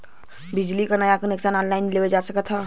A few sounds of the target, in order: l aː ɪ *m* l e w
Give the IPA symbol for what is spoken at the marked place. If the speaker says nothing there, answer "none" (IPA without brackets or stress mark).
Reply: n